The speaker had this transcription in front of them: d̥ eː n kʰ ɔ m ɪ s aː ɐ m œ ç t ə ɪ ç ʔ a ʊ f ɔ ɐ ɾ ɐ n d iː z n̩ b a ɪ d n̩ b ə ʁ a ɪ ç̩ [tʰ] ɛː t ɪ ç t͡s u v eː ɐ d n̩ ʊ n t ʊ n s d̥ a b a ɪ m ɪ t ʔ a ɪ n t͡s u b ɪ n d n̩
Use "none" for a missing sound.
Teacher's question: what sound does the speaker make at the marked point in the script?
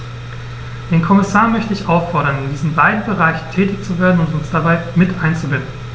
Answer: tʰ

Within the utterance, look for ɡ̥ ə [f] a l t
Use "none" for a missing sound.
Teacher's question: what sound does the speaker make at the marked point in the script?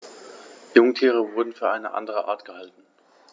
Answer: h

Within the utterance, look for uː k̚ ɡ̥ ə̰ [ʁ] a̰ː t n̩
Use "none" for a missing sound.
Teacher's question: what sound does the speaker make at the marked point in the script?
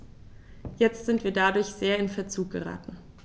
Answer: ʁ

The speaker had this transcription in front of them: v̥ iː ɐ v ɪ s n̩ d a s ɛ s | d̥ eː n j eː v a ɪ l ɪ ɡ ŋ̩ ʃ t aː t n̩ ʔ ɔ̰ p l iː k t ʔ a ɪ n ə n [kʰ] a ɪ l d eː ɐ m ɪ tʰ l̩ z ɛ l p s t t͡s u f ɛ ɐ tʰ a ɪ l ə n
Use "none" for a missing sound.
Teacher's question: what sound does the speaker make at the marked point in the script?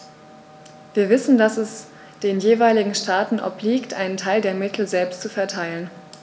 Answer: tʰ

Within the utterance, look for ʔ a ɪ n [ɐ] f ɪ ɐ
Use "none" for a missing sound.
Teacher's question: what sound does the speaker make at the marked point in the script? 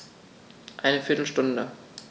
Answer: ə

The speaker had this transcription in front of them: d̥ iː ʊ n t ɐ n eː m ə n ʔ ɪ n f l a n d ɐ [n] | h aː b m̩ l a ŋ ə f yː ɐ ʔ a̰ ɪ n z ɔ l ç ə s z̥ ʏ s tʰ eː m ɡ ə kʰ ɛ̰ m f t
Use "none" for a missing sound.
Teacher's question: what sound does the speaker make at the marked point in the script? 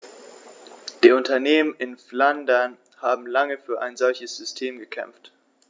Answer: n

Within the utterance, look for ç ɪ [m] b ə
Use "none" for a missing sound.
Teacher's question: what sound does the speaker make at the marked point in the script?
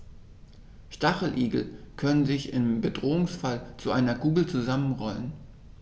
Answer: m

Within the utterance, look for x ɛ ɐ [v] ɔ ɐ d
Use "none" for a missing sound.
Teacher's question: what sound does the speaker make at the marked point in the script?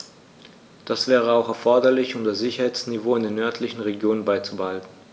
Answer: f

